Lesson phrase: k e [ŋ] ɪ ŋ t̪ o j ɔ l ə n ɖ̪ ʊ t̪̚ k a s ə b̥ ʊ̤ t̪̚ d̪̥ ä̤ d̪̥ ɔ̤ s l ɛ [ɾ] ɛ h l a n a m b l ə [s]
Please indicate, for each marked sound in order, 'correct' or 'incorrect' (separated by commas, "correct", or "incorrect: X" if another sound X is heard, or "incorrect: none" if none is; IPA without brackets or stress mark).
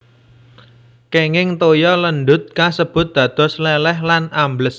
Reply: correct, incorrect: l, correct